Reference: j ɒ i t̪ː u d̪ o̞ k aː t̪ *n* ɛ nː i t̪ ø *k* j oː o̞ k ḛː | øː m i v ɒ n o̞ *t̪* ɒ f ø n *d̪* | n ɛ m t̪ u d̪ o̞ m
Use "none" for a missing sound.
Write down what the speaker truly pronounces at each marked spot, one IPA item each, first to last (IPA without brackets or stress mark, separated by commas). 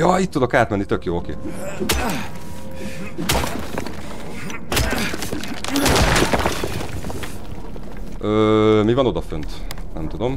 m, k, d̪, t̪